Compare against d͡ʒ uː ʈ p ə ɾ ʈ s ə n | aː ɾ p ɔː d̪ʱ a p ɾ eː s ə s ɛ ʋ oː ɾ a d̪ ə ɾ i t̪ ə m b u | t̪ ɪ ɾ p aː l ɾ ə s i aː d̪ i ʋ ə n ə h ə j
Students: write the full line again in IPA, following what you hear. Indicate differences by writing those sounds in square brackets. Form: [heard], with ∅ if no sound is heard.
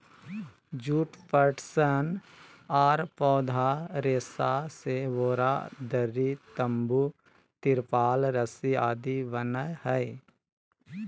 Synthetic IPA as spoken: d͡ʒ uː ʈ p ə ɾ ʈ s ə n | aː ɾ p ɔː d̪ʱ a [∅] ɾ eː s [a] s [e] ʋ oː ɾ a d̪ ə ɾ i t̪ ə m b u | t̪ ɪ ɾ p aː l ɾ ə s i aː d̪ i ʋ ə n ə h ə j

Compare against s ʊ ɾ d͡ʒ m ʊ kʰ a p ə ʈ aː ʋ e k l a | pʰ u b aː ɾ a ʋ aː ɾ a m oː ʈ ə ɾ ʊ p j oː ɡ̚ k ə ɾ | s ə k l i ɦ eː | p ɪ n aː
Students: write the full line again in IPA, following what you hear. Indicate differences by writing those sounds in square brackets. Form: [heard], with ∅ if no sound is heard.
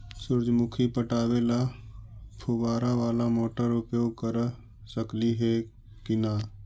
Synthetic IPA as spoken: s ʊ ɾ d͡ʒ m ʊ kʰ [i] p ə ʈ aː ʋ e [∅] l a | pʰ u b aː ɾ a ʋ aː [l] a m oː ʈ ə ɾ ʊ p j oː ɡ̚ k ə ɾ | s ə k l i ɦ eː | [k] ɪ n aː

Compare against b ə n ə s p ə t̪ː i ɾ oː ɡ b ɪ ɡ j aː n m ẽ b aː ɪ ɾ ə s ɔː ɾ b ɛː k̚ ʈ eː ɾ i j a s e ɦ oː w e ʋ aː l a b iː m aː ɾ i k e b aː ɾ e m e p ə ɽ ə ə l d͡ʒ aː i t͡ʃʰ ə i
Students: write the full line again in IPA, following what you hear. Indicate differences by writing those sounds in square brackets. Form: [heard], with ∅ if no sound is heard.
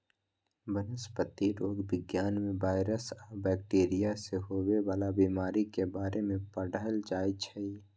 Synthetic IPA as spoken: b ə n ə s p ə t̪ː i ɾ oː ɡ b ɪ ɡ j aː n m ẽ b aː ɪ ɾ ə s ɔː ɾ b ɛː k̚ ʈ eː ɾ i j a s e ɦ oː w e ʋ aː l a b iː m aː ɾ i k e b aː ɾ e m [ẽ] p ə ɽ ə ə l d͡ʒ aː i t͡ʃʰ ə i

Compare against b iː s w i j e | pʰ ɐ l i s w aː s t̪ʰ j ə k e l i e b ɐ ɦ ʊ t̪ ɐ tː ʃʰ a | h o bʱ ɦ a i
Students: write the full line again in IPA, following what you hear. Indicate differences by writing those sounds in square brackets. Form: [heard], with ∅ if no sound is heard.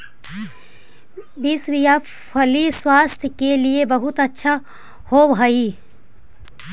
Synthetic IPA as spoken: b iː s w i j [a] | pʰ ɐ l i s w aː s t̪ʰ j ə k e l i e b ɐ ɦ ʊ t̪ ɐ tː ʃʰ a | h o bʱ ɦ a i

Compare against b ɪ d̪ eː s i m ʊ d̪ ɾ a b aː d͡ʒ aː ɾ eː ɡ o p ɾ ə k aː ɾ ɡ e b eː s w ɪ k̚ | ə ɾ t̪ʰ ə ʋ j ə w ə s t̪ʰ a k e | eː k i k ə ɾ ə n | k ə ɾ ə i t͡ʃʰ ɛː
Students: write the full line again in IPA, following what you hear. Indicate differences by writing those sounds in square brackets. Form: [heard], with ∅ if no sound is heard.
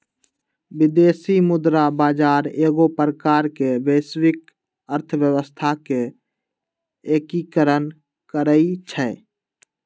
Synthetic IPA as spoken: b ɪ d̪ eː s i m ʊ d̪ ɾ a b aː d͡ʒ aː ɾ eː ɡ o p ɾ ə k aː ɾ [k] e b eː s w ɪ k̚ | ə ɾ t̪ʰ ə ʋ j ə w ə s t̪ʰ a k e | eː k i k ə ɾ ə n | k ə ɾ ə i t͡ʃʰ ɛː

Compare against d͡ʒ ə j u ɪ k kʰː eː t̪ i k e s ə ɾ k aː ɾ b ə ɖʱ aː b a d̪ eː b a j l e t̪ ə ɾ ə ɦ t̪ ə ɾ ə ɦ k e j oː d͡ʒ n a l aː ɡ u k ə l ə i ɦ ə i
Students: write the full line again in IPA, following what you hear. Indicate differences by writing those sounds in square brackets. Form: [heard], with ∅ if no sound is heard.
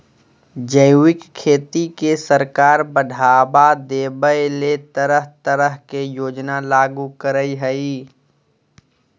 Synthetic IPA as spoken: d͡ʒ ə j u ɪ k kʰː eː t̪ i k e s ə ɾ k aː ɾ b ə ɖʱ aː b a d̪ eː b [ə] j l e t̪ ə ɾ ə ɦ t̪ ə ɾ ə ɦ k e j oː d͡ʒ n a l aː ɡ u k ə [ɾ] ə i ɦ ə i

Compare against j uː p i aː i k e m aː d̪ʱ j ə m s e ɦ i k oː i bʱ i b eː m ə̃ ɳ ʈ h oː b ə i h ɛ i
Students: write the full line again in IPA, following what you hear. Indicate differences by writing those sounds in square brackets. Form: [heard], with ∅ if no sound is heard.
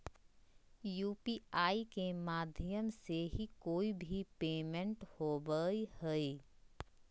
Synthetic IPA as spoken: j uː p i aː i k e m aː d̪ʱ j ə m s e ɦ i k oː i bʱ i [p] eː m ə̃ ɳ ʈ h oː b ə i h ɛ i

